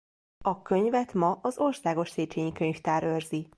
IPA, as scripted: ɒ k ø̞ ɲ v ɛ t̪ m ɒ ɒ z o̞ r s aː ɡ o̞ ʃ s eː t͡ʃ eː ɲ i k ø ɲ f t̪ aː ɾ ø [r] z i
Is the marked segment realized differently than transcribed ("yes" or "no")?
no